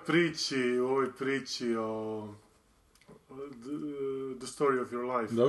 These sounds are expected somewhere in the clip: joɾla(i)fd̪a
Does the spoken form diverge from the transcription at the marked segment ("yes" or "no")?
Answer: yes